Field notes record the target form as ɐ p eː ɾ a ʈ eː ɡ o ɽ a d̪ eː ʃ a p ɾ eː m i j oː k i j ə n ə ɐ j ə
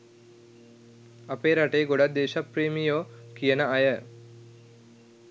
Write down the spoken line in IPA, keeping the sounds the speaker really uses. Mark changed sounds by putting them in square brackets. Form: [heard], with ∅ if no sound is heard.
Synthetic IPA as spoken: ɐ p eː ɾ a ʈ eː ɡ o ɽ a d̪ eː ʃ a p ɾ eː m i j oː k i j ə n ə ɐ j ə